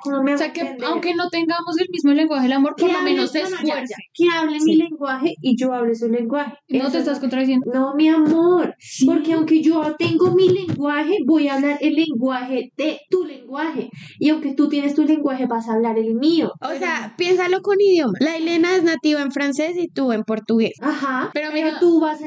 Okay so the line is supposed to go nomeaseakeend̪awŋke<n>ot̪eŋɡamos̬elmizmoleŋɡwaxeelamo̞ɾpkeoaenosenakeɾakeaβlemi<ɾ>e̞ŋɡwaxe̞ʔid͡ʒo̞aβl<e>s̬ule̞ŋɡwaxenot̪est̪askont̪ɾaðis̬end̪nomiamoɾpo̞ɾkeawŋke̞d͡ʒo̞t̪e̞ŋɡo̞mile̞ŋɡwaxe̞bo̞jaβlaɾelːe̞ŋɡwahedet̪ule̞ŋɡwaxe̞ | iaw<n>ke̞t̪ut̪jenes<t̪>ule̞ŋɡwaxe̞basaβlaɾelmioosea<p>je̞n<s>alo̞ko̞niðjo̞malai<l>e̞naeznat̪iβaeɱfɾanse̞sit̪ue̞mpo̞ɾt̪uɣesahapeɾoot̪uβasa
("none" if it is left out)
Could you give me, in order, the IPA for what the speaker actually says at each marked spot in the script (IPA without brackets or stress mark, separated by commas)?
n, l, e, ŋ, t̪, p, s, l